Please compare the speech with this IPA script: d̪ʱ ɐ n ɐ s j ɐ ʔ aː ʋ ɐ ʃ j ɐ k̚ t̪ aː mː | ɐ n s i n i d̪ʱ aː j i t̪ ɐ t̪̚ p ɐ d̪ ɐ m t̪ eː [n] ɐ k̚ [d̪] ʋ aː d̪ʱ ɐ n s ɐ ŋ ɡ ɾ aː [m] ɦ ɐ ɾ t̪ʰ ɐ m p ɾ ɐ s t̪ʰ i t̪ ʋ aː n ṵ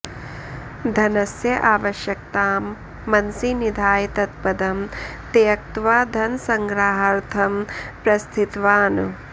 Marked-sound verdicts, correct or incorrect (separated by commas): incorrect, incorrect, incorrect